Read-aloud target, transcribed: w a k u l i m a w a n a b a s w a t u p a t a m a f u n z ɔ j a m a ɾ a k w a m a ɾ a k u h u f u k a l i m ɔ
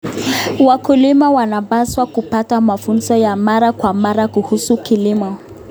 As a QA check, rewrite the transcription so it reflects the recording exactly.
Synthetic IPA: w a k u l i m a w a n a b a s w a k u p a t a m a f u n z ɔ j a m a ɾ a k w a m a ɾ a k u h u s u k i l i m ɔ